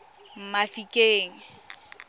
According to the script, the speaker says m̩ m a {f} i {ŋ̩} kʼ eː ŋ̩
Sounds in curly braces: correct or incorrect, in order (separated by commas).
correct, incorrect